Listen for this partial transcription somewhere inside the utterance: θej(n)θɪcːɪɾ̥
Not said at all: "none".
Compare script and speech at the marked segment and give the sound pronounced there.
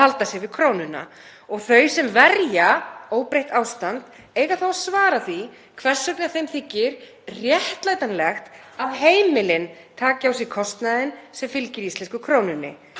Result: m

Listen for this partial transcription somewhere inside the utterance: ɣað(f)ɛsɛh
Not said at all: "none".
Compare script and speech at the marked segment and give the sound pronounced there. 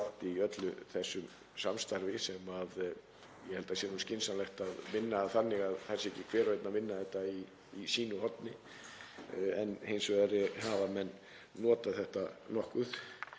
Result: θ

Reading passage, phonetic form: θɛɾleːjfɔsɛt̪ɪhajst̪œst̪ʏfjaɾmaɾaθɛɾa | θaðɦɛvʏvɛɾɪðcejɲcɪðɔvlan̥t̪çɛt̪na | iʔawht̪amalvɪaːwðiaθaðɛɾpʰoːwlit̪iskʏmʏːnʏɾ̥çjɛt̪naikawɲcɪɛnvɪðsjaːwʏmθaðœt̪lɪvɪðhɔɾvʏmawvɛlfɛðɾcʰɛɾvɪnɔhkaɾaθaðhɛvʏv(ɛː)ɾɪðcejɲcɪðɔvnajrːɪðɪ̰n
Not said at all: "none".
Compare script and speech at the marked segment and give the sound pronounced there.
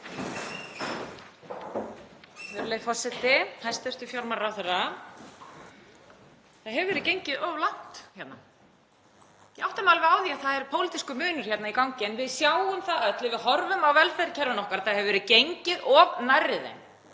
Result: ɛ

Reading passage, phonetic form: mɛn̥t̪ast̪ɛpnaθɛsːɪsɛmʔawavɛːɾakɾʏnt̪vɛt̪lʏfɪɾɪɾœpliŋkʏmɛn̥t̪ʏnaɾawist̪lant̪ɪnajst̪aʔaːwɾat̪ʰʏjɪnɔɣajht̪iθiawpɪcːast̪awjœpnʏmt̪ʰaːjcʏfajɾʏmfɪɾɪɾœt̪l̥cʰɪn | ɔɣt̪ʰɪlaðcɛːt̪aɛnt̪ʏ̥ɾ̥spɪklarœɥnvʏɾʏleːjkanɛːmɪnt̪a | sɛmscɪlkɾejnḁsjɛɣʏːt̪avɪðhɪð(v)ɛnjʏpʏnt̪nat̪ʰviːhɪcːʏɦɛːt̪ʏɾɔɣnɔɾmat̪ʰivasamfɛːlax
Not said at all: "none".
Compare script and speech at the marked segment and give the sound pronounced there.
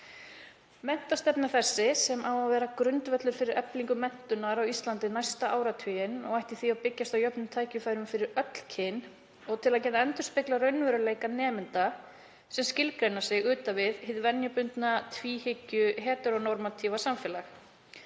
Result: v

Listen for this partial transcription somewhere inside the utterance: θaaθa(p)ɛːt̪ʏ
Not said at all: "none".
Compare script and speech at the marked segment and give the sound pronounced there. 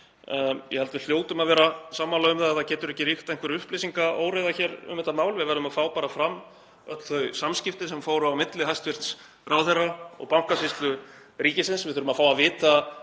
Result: c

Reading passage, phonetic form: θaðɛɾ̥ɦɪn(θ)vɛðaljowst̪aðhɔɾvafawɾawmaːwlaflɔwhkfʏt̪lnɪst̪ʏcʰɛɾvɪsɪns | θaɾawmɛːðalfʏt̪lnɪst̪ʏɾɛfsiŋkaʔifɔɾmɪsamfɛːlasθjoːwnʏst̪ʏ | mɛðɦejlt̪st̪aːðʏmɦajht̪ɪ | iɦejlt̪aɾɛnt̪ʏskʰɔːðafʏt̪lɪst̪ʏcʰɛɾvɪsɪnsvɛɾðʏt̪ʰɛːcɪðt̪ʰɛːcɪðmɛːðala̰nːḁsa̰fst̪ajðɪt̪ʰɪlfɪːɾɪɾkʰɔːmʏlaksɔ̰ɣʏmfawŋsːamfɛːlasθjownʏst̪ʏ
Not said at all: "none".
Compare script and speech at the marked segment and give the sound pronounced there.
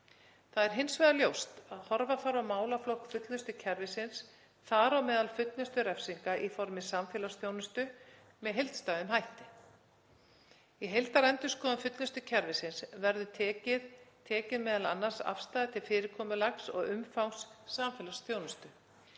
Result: s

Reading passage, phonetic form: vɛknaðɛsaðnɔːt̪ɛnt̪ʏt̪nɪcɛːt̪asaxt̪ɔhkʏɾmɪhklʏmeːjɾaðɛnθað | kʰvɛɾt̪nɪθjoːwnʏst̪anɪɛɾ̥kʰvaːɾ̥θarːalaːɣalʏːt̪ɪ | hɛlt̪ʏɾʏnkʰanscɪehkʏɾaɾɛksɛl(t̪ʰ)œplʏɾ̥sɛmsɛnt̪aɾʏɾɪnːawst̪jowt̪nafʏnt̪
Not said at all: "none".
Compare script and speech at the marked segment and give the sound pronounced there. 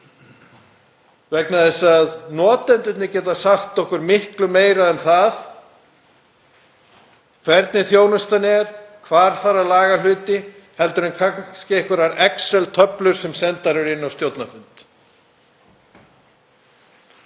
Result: t̪ʰ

